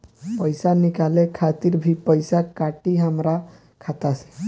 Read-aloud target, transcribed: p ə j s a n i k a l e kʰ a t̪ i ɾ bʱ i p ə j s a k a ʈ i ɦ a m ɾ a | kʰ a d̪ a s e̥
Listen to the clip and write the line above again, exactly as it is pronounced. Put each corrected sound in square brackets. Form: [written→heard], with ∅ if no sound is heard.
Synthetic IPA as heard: p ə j s a n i k a l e kʰ a t̪ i ɾ bʱ i p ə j s a k a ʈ i ɦ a m ɾ a | kʰ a [d̪→t̪] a s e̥

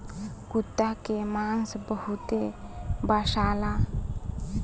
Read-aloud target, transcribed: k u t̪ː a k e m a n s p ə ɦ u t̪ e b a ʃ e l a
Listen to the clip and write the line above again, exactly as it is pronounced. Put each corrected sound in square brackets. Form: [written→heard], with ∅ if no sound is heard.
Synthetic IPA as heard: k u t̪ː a k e m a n s [p→b] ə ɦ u t̪ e b a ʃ [e→a] l a

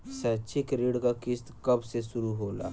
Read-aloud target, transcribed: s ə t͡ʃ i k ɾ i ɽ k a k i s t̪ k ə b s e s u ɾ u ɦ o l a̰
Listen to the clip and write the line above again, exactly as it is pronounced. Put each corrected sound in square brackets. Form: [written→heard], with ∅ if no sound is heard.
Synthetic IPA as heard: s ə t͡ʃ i k ɾ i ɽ k a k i s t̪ k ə b s e s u ɾ u ɦ o l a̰

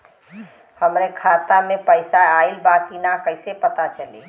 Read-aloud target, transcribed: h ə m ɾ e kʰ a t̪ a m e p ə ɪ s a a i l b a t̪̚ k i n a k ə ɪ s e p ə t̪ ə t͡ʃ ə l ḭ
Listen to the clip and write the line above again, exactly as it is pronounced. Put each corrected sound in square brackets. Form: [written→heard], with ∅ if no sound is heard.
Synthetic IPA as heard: h ə m ɾ e kʰ a t̪ a m e p ə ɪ s a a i l b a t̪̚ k i n a k ə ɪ s e p ə t̪ [ə→a] t͡ʃ ə l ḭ

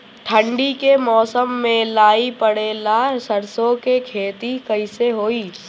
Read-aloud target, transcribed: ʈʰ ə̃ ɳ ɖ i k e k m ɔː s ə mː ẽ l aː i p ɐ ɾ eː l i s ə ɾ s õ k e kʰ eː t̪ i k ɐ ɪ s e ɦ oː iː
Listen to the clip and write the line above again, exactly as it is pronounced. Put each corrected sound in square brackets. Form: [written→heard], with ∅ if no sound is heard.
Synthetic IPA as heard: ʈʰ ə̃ ɳ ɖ i k e [k→∅] m ɔː s ə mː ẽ l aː i p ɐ [ɾ→ɽ] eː l [i→a] s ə ɾ s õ k e kʰ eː t̪ i k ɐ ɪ s e ɦ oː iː

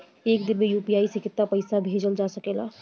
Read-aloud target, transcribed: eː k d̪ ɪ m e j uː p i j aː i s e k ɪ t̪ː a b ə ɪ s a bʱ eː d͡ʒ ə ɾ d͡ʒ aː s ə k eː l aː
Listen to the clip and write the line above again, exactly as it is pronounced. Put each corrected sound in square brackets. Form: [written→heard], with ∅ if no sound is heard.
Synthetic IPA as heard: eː k d̪ ɪ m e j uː p i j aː i s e k ɪ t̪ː a [b→p] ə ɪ s a bʱ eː d͡ʒ ə [ɾ→l] d͡ʒ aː s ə k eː l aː

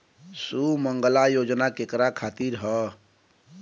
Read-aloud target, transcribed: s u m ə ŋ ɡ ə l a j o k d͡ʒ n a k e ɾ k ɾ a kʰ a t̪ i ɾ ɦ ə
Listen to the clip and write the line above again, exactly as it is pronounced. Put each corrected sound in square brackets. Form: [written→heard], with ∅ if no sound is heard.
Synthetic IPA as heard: s u m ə ŋ ɡ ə l a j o [k→∅] d͡ʒ n a k e [ɾ→∅] k ɾ a kʰ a t̪ i ɾ ɦ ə

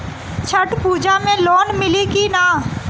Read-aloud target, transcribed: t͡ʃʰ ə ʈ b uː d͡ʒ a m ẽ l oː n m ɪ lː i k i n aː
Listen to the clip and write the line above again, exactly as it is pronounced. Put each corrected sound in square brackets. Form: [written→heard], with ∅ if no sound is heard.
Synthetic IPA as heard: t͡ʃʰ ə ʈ [b→p] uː d͡ʒ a m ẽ l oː n m ɪ [lː→l] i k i n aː

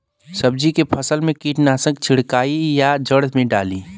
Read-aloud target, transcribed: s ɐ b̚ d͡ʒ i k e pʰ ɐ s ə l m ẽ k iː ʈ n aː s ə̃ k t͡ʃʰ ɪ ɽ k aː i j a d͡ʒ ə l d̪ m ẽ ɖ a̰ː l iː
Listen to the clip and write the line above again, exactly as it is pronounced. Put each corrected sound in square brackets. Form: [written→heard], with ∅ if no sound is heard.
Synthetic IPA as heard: s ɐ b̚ d͡ʒ i k e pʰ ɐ s ə l m ẽ k iː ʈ n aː s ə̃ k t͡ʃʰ ɪ ɽ k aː i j a d͡ʒ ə [l→ɽ] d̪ m ẽ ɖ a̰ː l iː

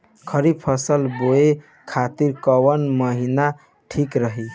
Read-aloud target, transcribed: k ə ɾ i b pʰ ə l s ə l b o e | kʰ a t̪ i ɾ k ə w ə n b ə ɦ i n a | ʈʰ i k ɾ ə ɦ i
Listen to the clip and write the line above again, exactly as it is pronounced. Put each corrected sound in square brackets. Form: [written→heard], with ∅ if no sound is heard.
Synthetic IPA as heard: [k→kʰ] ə ɾ i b pʰ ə [l→∅] s ə l b o e | kʰ a t̪ i ɾ k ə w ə n [b→m] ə ɦ i n a | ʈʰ i k ɾ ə ɦ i

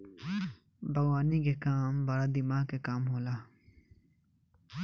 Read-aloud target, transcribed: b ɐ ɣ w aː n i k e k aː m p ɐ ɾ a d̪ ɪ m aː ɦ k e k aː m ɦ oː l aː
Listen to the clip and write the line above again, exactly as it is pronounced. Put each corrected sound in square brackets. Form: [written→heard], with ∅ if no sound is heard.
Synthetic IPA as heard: b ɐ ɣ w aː n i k e k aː m [p→b] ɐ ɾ a d̪ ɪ m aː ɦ k e k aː m ɦ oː l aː

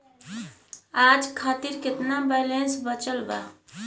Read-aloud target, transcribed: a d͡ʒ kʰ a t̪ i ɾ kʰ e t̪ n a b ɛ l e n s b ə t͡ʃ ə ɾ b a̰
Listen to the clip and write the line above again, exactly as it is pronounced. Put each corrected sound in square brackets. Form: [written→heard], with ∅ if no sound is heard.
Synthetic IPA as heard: a d͡ʒ kʰ a t̪ i ɾ [kʰ→k] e t̪ n a b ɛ l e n s b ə t͡ʃ ə [ɾ→l] b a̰

